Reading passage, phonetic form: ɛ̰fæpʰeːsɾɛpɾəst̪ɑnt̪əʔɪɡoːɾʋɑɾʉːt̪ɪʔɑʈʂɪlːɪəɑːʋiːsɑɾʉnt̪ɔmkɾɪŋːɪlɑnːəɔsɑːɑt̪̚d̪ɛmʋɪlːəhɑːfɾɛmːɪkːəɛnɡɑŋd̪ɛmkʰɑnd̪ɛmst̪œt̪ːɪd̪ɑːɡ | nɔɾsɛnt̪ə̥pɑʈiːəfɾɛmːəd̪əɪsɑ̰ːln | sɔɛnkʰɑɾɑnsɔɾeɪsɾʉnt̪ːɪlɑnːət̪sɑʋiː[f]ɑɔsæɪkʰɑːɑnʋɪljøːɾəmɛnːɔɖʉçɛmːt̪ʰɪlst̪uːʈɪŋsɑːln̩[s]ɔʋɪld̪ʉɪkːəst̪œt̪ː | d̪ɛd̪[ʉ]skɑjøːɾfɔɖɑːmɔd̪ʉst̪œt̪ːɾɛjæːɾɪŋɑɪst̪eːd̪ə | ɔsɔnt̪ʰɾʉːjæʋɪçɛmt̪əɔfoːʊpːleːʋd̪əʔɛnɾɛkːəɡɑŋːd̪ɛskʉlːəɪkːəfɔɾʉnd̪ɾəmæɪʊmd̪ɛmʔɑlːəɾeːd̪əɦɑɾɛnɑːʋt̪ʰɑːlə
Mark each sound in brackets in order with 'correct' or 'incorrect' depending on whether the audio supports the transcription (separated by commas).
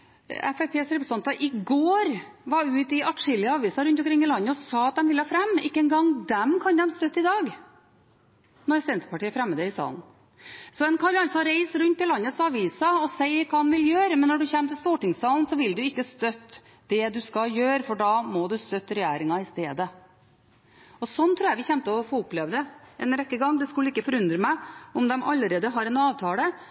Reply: incorrect, correct, correct